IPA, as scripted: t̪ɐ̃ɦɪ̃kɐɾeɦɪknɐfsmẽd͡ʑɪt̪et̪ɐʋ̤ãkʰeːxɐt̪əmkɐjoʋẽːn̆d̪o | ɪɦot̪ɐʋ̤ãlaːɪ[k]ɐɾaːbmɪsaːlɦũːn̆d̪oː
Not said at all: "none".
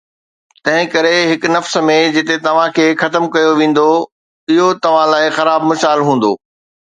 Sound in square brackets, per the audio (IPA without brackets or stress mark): x